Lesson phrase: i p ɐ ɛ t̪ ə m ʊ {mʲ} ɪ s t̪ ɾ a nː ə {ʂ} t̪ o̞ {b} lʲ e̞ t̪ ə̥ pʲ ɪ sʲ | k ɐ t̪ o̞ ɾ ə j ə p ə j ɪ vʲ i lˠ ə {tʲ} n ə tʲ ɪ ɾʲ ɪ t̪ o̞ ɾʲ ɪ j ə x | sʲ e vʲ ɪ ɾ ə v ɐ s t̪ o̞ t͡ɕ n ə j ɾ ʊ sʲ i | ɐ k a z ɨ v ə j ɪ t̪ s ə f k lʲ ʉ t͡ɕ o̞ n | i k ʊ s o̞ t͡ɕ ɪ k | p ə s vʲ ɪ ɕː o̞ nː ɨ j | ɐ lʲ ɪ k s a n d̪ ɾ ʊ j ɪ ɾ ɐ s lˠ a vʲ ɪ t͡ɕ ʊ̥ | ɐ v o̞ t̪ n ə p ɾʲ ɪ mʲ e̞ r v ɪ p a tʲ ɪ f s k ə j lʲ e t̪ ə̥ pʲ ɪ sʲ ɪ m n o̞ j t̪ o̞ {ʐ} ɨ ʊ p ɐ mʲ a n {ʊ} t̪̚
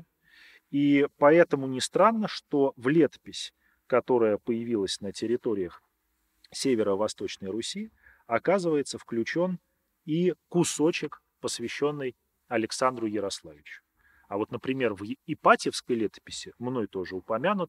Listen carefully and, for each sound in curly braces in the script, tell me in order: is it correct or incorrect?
incorrect: nʲ, correct, incorrect: v, incorrect: sʲ, correct, correct

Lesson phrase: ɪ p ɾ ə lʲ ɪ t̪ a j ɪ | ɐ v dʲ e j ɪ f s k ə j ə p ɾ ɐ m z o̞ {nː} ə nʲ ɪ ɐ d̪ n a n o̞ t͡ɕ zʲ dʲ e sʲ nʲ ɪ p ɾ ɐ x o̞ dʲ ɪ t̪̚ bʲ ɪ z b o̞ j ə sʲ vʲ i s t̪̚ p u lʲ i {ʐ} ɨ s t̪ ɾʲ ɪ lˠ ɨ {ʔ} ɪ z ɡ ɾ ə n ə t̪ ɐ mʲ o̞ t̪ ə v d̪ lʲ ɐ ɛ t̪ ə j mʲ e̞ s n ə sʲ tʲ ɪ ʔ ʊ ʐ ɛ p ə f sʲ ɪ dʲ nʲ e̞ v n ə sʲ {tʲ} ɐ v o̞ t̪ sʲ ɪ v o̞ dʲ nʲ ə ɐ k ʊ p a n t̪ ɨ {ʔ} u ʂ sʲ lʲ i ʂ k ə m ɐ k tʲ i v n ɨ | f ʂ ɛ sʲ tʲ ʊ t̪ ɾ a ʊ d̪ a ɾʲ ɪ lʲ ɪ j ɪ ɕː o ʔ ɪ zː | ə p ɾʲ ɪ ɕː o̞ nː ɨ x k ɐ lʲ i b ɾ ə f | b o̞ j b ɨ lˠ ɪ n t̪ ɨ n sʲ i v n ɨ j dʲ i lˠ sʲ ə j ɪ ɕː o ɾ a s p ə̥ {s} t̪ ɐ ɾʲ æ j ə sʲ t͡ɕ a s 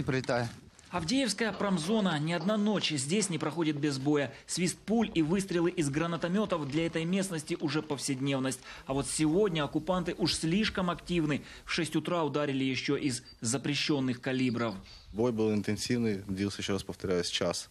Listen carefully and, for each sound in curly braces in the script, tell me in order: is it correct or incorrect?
incorrect: n, incorrect: v, correct, correct, correct, incorrect: f

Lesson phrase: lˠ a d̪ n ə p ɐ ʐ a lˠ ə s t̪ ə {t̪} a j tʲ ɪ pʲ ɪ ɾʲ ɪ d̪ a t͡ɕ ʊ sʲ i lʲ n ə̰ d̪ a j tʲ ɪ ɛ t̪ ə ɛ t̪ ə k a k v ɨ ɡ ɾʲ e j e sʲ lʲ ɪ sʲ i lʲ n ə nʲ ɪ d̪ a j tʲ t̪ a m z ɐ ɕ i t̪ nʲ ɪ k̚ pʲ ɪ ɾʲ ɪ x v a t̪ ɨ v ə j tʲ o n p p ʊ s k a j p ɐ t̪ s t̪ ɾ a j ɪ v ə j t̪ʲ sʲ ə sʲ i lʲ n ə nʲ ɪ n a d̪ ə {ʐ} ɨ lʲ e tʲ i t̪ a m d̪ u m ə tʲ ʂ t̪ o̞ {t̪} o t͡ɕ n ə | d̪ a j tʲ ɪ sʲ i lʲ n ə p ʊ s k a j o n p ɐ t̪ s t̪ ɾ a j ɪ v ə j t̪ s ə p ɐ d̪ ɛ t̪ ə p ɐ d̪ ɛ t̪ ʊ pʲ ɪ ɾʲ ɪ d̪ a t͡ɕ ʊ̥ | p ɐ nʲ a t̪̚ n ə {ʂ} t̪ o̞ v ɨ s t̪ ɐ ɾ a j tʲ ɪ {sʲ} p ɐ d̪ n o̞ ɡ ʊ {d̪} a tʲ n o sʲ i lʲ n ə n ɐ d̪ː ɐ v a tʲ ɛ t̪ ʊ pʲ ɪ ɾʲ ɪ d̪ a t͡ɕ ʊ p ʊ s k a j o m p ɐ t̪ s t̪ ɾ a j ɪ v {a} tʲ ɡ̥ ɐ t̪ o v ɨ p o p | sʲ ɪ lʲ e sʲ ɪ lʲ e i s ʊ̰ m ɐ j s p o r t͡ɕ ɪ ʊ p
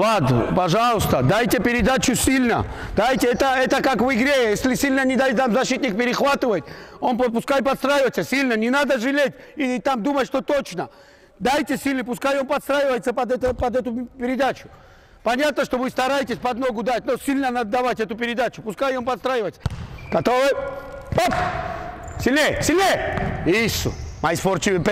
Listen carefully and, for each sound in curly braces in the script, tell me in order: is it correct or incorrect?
incorrect: d̪, correct, correct, correct, correct, correct, incorrect: ə

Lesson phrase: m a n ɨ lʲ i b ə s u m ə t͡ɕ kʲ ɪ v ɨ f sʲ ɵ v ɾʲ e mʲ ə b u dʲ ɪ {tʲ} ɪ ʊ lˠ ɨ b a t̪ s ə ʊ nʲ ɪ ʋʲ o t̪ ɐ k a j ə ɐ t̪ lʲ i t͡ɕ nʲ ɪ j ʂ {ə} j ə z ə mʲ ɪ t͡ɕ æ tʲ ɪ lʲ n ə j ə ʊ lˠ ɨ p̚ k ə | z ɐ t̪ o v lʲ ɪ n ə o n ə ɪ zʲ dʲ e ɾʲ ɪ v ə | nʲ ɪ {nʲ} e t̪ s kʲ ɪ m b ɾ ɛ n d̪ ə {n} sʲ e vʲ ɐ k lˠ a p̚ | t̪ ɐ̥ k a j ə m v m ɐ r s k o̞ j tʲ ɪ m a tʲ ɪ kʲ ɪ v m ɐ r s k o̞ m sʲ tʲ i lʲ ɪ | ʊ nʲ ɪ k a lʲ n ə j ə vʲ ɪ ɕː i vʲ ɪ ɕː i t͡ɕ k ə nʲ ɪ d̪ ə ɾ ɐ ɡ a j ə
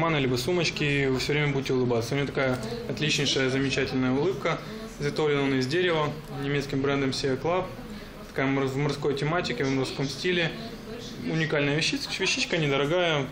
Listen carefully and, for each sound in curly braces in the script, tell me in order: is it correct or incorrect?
correct, correct, incorrect: mʲ, incorrect: m

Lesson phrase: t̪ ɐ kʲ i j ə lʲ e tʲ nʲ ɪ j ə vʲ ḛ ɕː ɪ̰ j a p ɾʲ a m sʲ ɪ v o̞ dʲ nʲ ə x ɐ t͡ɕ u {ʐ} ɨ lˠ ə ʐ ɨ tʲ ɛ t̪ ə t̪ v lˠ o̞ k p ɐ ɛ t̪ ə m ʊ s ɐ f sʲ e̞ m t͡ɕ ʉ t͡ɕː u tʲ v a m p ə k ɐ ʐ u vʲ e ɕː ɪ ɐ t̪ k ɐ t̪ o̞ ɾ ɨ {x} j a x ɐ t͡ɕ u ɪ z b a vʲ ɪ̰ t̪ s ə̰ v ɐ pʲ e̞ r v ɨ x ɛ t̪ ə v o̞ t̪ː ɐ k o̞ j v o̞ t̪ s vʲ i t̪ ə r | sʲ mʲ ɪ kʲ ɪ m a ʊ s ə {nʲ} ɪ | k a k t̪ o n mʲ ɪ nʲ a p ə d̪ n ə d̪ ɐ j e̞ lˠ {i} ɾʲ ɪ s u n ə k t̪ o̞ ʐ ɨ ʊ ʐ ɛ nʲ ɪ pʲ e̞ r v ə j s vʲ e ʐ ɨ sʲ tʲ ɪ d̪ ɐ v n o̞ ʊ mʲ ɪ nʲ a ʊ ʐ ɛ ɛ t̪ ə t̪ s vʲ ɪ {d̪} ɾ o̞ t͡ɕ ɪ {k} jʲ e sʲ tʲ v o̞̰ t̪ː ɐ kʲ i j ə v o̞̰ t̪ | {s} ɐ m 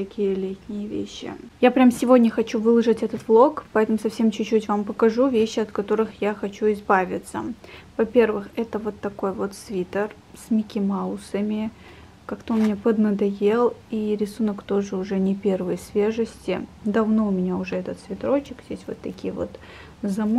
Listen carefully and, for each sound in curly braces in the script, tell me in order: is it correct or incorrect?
incorrect: v, correct, incorrect: mʲ, correct, incorrect: t̪, correct, incorrect: z

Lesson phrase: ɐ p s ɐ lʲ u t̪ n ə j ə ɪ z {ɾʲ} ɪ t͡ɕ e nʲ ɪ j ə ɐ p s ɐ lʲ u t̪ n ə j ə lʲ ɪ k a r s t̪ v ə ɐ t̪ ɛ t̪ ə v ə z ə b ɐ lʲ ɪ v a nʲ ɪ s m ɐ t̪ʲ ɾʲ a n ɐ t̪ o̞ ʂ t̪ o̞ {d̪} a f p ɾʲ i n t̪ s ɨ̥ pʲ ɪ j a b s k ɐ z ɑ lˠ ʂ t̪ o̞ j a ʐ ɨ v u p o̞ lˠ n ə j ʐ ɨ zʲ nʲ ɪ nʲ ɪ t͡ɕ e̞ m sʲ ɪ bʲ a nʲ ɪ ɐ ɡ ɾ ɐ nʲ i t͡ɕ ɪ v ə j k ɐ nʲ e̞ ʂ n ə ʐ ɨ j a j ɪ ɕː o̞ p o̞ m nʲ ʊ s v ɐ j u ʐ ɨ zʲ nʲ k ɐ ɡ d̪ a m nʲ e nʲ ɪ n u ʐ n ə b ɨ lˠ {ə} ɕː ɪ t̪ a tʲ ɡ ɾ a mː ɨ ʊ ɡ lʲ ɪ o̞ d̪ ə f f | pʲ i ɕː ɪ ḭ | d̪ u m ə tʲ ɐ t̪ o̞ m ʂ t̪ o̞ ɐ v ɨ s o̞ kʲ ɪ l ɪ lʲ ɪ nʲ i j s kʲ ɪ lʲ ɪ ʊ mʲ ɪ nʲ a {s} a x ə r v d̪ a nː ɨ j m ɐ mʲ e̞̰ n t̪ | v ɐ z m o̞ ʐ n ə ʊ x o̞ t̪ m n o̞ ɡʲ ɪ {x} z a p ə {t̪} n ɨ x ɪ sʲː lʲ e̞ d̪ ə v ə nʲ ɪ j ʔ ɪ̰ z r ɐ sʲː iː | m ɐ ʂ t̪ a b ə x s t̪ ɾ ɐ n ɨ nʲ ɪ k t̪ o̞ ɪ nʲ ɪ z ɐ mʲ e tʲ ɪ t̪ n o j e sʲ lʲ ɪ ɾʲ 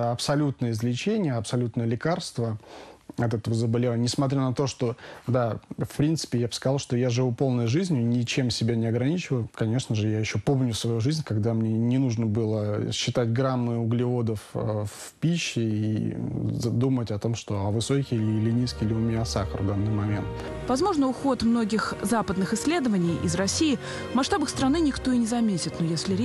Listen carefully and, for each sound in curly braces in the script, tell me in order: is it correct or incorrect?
incorrect: lʲ, correct, correct, correct, correct, incorrect: d̪

